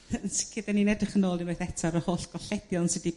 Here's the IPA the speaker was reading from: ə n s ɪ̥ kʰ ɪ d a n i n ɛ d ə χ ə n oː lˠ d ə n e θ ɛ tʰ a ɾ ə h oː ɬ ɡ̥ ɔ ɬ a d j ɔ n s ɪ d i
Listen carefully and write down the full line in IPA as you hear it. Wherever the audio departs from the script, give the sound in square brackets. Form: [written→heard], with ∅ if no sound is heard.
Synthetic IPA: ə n s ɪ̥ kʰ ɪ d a n i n ɛ d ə χ ə n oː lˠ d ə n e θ ɛ tʰ a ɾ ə h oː ɬ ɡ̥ ɔ ɬ [a→ɛ] d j ɔ n s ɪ d i